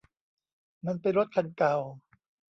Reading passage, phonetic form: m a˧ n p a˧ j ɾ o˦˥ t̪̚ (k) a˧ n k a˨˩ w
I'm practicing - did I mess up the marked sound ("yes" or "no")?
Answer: yes